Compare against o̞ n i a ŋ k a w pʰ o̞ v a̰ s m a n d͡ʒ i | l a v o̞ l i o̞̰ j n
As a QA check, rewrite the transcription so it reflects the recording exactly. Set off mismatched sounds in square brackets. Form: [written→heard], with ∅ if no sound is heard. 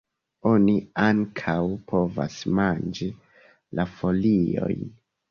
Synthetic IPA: o̞ n i a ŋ [k→kʰ] a w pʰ o̞ v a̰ s m a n d͡ʒ i | l a [v→f] o̞ l i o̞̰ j n